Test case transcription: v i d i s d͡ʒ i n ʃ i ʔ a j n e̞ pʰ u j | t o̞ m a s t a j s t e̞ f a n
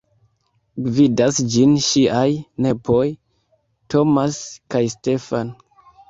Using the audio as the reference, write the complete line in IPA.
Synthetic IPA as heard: v i d a s d͡ʒ i n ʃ i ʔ a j n e̞ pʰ o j | t o̞ m a s k a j s t e̞ f a n